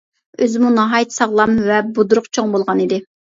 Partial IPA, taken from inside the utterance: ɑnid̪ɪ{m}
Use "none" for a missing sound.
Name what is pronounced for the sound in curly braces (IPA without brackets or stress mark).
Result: none